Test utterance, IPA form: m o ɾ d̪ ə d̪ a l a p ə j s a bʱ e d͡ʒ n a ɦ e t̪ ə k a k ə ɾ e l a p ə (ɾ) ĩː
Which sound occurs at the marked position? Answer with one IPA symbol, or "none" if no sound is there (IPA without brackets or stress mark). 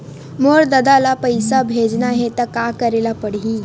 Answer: ɽ